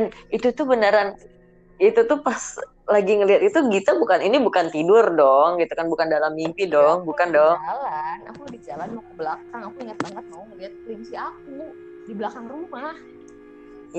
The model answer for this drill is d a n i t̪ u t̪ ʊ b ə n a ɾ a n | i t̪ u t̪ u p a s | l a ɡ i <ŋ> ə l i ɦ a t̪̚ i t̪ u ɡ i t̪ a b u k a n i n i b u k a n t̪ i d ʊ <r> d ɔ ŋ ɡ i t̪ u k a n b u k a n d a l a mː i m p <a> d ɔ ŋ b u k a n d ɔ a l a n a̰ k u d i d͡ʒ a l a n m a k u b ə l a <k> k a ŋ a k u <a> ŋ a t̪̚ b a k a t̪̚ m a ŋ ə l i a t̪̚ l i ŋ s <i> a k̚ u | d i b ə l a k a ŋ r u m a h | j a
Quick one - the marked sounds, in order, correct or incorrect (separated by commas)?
correct, correct, incorrect, correct, incorrect, correct